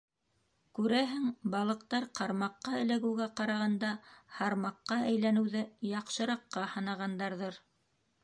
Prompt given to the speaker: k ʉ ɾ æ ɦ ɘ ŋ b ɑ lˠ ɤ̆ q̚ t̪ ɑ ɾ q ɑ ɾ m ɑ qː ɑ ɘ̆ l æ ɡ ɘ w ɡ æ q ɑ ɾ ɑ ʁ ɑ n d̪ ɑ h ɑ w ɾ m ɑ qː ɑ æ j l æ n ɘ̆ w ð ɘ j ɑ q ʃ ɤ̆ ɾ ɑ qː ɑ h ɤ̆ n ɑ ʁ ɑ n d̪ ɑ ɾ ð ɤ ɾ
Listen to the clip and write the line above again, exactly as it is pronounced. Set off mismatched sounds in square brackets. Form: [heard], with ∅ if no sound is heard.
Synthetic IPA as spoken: k ʉ ɾ æ ɦ ɘ ŋ b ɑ lˠ ɤ̆ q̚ t̪ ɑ ɾ q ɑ ɾ m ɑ qː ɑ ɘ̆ l æ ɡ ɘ w ɡ æ q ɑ ɾ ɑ ʁ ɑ n d̪ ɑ h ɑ [∅] ɾ m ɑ qː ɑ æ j l æ n ɘ̆ w ð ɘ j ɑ q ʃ ɤ̆ ɾ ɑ qː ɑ h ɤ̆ n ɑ ʁ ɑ n d̪ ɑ ɾ ð ɤ ɾ